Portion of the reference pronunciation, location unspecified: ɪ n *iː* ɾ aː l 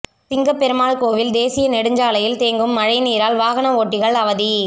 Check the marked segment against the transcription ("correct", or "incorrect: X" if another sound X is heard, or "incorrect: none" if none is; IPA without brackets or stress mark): correct